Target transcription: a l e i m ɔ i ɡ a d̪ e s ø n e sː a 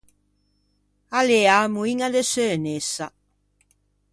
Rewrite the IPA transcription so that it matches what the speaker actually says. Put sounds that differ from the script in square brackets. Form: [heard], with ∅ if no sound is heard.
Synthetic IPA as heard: a l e [a] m [u] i [ŋ] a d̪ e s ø n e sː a